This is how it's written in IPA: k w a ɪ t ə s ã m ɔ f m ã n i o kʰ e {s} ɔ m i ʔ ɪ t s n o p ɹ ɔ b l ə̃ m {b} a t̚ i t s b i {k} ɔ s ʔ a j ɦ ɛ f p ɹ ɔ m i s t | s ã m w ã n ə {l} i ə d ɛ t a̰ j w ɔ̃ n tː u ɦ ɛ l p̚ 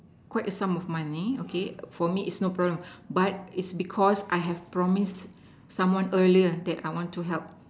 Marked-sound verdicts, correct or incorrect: incorrect: f, correct, incorrect: kʰ, correct

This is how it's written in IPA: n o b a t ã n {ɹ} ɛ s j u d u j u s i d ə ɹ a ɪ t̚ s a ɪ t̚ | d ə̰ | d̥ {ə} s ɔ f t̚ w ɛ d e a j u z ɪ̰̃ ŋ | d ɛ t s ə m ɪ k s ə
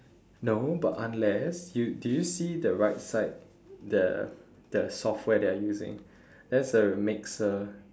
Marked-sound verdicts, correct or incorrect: incorrect: l, correct

